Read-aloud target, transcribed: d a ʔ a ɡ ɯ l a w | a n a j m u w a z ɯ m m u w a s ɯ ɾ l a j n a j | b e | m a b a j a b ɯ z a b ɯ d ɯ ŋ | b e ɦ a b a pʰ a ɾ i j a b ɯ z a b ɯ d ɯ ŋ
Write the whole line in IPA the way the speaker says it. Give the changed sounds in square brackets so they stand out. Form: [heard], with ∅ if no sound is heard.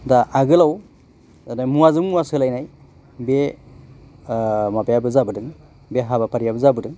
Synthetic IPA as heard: d a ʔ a ɡ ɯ l a w | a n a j m u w a z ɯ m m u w a s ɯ [∅] l a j n a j | b e | m a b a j a b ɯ z a b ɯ d ɯ ŋ | b e ɦ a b a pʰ a ɾ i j a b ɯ z a b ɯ d ɯ ŋ